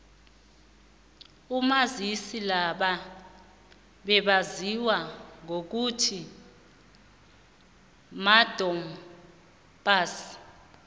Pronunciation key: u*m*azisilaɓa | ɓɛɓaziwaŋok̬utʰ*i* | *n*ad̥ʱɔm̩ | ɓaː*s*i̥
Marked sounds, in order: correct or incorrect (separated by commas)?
correct, correct, incorrect, correct